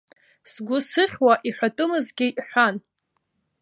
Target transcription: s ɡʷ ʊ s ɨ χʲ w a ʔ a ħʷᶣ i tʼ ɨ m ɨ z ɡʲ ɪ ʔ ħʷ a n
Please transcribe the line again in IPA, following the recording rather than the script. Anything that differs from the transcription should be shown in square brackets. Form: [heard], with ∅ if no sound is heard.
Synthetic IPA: s ɡʷ ʊ s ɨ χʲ w a ʔ [i] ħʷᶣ [a] tʼ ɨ m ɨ z ɡʲ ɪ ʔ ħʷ a n